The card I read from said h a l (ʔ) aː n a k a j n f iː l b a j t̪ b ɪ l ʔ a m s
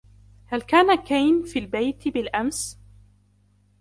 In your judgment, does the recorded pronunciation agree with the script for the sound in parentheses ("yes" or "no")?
no